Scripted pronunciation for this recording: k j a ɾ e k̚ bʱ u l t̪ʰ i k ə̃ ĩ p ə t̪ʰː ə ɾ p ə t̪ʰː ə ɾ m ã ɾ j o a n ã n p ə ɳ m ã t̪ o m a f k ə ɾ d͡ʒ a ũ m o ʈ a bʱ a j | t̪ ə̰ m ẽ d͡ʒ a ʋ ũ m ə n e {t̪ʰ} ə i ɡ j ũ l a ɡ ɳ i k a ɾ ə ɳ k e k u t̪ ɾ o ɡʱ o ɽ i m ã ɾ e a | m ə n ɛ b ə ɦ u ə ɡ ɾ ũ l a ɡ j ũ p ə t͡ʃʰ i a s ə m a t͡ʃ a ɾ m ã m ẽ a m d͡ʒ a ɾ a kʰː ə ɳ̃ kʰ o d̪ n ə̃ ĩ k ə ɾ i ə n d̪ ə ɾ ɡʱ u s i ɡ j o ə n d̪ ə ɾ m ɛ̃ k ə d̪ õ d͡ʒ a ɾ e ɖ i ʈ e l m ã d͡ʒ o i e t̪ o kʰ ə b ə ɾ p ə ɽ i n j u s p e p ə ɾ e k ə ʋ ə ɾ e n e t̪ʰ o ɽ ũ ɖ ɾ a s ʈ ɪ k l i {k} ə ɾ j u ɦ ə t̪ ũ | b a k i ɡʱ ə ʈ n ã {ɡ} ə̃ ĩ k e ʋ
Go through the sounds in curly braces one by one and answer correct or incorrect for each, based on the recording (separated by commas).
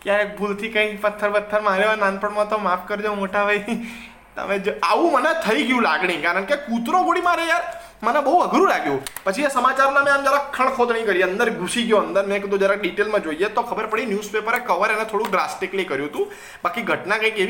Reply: correct, correct, incorrect